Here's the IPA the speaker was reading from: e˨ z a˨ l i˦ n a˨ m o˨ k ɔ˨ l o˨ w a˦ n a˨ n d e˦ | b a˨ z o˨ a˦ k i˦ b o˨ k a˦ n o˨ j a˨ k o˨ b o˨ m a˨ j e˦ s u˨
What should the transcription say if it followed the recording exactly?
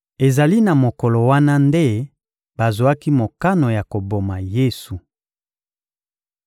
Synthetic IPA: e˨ z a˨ l i˦ n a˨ m o˨ k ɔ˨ l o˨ w a˦ n a˦ n d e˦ | b a˨ z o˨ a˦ k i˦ m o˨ k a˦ n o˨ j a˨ k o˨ b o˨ m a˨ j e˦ s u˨